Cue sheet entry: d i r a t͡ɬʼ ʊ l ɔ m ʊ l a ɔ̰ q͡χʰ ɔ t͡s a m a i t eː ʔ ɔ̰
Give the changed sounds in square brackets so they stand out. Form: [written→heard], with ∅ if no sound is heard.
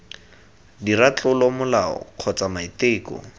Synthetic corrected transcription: d i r a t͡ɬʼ ʊ l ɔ m ʊ l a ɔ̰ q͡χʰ ɔ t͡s a m a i t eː [ʔ→k] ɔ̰

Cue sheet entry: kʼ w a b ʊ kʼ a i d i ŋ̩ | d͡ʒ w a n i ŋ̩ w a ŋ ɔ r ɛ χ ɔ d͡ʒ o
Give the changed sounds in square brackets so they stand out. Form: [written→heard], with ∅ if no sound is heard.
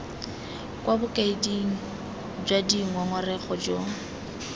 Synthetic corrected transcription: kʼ w a b ʊ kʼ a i d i ŋ̩ | d͡ʒ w a [n→d] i ŋ̩ w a ŋ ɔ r ɛ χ ɔ d͡ʒ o

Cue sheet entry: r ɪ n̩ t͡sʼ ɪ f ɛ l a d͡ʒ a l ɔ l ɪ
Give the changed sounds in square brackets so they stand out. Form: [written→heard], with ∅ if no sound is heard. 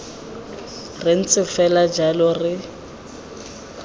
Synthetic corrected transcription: r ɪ n̩ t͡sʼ ɪ f ɛ l a d͡ʒ a l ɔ [l→r] ɪ

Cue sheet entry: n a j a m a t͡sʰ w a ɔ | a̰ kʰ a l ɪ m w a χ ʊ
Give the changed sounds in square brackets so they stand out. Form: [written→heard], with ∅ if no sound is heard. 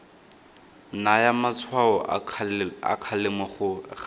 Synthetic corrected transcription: n a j a m a t͡sʰ w a ɔ | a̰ kʰ a l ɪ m w a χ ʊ

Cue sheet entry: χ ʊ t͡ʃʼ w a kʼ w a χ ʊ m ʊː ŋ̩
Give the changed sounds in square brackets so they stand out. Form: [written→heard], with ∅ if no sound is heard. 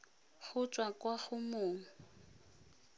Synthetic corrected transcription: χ ʊ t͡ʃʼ w a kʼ w a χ ʊ m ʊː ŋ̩

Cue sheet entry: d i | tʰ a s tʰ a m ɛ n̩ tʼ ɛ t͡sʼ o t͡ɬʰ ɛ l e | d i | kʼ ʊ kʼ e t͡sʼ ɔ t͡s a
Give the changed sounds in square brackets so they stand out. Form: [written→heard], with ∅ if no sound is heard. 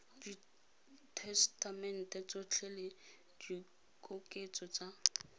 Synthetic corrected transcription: d i | tʰ [a→ɛ] s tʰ a m ɛ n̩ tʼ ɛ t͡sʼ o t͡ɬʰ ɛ l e | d i | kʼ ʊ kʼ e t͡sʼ ɔ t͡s a

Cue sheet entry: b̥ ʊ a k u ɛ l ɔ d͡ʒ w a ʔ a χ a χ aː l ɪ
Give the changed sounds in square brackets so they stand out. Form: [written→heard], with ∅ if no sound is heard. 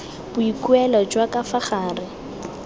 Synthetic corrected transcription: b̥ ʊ [a→i] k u ɛ l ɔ d͡ʒ w a [ʔ→k] a [χ→f] a χ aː [l→r] ɪ

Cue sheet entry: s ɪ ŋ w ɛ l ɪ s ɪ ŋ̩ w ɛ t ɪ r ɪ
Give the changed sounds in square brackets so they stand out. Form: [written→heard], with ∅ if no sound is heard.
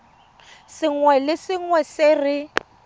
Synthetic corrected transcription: s ɪ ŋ w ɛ l ɪ s ɪ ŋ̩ w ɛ [t→s] ɪ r ɪ

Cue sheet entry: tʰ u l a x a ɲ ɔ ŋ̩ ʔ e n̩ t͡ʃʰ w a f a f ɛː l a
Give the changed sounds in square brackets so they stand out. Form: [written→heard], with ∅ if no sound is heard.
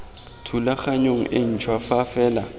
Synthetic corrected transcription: tʰ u l a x a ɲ [ɔ→o] ŋ̩ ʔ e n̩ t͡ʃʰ w a f a f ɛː l a

